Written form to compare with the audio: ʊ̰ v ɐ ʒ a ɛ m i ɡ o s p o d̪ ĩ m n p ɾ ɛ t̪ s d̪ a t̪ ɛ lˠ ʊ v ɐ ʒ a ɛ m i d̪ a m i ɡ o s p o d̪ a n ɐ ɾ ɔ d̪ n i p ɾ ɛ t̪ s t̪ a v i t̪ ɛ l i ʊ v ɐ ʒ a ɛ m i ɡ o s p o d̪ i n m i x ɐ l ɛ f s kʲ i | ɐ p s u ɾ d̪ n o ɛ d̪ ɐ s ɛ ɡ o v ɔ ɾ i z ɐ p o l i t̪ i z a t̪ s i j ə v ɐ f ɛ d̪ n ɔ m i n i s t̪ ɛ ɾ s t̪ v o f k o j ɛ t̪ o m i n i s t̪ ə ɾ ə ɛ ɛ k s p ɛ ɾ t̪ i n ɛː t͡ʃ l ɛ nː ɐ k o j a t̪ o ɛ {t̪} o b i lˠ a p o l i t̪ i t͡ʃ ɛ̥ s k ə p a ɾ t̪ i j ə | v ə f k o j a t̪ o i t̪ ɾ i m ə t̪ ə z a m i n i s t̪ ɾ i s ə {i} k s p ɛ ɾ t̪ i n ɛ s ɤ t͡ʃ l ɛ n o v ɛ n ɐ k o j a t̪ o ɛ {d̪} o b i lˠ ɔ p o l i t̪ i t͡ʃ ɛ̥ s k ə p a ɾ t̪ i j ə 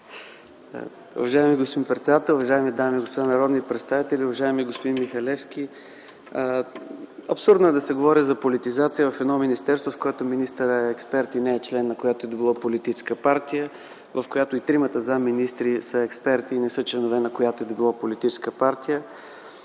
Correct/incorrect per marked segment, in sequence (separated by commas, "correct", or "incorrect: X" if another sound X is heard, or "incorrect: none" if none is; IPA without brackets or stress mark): incorrect: d̪, incorrect: ɛ, correct